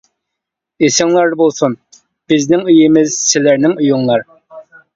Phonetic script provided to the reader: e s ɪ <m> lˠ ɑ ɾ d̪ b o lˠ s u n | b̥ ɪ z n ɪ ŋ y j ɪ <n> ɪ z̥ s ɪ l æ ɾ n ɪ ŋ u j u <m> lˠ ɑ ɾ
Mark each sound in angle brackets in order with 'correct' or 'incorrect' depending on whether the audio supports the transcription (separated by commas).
incorrect, incorrect, incorrect